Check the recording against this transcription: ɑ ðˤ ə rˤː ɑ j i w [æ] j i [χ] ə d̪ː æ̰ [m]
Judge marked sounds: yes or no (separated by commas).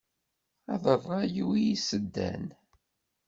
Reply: no, no, no